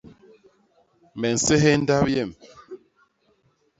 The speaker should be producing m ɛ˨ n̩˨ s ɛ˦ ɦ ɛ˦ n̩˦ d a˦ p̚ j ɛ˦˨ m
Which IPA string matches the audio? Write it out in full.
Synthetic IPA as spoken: m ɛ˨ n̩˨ s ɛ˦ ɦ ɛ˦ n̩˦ d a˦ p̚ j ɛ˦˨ m